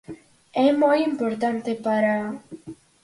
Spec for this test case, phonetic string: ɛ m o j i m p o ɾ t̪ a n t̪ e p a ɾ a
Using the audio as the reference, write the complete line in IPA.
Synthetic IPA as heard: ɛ m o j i m p o ɾ t̪ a n t̪ e p a ɾ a